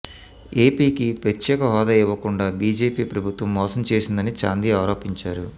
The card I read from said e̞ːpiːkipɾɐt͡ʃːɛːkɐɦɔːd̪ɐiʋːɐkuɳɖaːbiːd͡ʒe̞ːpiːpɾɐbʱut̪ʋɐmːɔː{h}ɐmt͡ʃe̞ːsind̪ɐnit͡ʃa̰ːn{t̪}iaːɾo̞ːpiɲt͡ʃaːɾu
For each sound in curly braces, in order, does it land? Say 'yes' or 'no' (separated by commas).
no, no